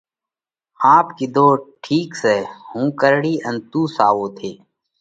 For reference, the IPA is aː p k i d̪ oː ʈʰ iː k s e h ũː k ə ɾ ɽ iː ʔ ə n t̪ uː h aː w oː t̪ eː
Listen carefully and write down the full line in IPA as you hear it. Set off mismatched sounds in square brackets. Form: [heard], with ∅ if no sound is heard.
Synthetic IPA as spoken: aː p k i d̪ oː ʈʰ iː k s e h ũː k ə ɾ ɽ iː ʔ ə n t̪ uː [s] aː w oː [t̪ʰ] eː